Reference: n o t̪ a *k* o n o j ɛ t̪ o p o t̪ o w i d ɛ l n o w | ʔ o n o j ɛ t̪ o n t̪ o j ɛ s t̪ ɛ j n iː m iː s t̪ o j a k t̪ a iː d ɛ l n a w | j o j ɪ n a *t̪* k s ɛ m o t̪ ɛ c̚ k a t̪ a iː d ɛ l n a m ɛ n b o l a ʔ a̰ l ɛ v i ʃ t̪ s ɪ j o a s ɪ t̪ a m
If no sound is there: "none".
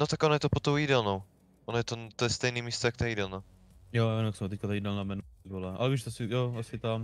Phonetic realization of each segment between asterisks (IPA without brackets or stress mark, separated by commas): k, none